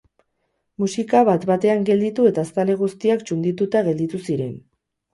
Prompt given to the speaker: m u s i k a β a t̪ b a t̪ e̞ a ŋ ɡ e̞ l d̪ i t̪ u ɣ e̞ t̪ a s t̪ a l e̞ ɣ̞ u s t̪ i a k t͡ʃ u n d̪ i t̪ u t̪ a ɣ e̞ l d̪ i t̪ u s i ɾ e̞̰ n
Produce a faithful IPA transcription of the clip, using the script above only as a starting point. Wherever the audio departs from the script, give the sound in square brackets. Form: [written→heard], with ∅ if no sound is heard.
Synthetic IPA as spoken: m u s i k a β a t̪ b a t̪ e̞ a ŋ ɡ e̞ l d̪ i t̪ u [ɣ→∅] e̞ t̪ a s t̪ a l e̞ ɣ̞ u s t̪ i a k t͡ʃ u n d̪ i t̪ u t̪ a ɣ e̞ l d̪ i t̪ u s i ɾ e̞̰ n